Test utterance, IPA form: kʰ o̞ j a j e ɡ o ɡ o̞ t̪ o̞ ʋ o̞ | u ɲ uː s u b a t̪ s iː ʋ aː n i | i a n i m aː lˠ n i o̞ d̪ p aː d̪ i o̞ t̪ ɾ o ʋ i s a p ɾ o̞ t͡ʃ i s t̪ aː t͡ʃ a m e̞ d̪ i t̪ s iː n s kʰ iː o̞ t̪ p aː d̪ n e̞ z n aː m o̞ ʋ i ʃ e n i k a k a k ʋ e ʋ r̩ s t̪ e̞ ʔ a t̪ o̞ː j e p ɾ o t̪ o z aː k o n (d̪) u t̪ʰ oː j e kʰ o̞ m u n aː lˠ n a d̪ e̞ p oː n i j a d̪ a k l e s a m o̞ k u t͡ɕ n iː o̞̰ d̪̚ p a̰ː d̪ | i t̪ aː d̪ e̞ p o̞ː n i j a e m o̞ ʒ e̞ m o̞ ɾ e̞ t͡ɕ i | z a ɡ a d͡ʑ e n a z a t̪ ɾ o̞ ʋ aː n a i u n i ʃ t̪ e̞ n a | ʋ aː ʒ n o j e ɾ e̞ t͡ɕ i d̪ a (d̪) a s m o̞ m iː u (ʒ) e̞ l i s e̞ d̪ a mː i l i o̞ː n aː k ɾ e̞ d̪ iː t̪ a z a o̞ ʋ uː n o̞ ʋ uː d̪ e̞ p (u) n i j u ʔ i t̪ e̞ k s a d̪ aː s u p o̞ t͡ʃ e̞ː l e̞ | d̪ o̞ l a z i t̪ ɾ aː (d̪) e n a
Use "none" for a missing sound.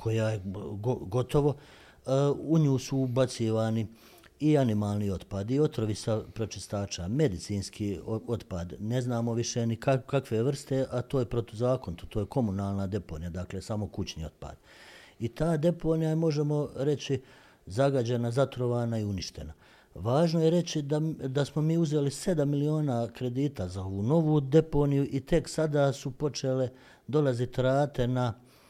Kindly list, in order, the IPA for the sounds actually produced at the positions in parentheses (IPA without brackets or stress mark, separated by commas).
t̪, d̪, z, o, t̪